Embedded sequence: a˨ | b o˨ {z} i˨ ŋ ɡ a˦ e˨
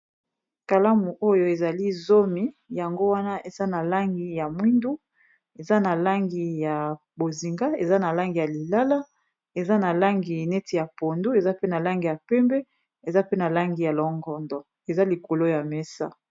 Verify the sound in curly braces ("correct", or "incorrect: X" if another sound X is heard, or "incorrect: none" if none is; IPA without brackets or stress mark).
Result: correct